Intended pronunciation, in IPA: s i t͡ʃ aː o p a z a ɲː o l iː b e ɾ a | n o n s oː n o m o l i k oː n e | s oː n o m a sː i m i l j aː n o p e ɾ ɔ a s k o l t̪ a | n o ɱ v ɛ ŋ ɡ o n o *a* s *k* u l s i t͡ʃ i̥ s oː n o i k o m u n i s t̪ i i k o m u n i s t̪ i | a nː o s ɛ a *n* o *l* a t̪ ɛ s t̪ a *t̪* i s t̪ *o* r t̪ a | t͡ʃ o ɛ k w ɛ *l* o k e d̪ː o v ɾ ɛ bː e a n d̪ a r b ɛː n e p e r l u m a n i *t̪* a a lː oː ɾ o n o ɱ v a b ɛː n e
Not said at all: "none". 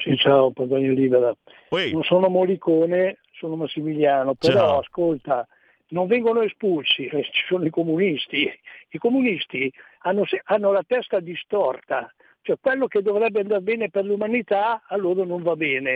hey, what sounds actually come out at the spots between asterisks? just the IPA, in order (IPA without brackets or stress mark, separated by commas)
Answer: e, p, nː, l, d̪, ɔ, lː, t̪